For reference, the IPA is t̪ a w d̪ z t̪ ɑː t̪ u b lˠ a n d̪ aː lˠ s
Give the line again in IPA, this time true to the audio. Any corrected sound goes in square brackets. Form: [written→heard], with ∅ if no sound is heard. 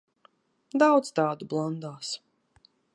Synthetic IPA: [t̪→d̪] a w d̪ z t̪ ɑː [t̪→d̪] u b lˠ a n d̪ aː [lˠ→∅] s